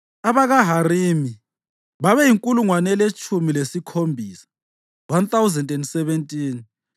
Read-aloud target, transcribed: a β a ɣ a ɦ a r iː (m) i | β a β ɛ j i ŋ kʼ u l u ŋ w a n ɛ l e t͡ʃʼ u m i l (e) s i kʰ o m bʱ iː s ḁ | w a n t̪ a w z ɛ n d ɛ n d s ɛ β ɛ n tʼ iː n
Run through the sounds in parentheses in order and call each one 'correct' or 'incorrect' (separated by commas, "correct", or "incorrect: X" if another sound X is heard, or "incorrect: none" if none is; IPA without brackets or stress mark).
correct, correct